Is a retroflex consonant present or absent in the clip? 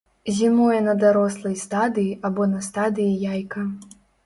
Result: absent